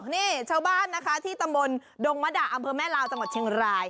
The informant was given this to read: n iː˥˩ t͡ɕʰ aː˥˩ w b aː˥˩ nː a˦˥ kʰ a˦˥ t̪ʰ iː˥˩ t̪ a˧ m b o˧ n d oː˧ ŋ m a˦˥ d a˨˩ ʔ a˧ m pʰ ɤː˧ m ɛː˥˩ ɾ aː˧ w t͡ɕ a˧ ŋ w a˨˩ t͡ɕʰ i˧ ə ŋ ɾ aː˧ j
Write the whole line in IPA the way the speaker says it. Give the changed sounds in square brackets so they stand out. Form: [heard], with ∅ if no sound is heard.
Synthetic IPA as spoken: n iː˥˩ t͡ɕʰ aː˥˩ w b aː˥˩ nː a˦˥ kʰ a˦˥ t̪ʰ iː˥˩ t̪ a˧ m b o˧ n d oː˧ ŋ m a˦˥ d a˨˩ ʔ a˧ m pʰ ɤː˧ m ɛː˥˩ [l] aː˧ w t͡ɕ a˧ ŋ w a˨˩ t͡ɕʰ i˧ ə ŋ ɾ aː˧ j